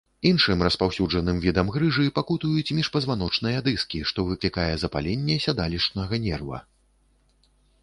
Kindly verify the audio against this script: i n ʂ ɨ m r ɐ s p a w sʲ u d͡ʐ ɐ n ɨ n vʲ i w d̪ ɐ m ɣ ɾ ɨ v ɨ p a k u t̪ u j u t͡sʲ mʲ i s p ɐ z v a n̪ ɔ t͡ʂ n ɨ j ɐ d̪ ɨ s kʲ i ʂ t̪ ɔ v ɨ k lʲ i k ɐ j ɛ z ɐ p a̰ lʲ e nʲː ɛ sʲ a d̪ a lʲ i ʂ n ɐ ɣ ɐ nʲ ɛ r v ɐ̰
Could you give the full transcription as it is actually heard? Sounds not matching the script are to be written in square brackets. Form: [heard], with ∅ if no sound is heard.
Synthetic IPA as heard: i n ʂ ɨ m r ɐ s p a w sʲ u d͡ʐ ɐ n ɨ [m] vʲ i [∅] d̪ ɐ m ɣ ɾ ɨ [ʐ] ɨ p a k u t̪ u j u t͡sʲ mʲ i [ʂ] p ɐ z v a n̪ ɔ t͡ʂ n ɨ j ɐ d̪ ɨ s kʲ i ʂ t̪ ɔ v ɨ k lʲ i k [a] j ɛ z ɐ p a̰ lʲ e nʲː ɛ sʲ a d̪ a lʲ i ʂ n ɐ ɣ ɐ nʲ ɛ r v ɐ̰